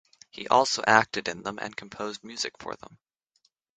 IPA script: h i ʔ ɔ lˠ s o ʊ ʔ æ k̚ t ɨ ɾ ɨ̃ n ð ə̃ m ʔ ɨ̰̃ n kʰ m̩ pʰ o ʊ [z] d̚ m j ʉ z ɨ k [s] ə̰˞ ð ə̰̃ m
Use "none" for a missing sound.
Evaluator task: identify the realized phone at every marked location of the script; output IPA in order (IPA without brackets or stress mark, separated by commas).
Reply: z, f